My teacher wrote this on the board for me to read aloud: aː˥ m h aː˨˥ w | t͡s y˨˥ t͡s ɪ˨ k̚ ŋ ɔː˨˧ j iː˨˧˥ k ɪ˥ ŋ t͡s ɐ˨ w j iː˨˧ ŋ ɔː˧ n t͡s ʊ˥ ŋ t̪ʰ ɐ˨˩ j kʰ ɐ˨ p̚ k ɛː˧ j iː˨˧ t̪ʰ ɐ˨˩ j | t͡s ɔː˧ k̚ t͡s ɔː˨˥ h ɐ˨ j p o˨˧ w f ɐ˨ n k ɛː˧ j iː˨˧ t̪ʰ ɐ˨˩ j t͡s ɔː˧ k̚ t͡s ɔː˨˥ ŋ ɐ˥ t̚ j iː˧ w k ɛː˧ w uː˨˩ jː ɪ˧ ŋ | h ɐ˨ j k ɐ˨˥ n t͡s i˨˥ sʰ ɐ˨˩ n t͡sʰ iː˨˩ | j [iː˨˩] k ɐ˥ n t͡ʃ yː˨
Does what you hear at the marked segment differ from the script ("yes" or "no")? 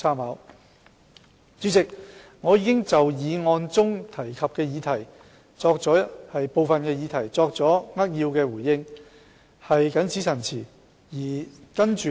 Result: no